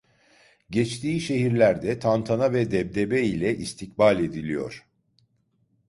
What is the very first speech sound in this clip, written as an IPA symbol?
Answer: ɟ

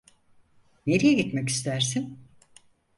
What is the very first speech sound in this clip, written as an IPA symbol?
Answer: n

